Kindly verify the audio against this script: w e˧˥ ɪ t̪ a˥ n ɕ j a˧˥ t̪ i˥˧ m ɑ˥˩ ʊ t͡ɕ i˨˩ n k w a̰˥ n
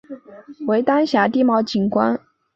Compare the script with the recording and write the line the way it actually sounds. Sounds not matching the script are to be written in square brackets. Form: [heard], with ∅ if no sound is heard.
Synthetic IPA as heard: w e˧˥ ɪ t̪ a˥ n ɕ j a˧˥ t̪ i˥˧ m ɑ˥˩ ʊ t͡ɕ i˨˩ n k w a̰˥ n